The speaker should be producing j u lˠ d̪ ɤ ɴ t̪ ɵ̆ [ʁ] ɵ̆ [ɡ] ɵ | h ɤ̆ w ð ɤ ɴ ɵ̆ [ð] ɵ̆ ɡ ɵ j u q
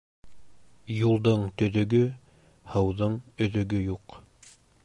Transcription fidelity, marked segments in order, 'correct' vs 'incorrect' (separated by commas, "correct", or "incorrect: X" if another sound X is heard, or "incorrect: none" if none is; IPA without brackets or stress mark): incorrect: ð, correct, correct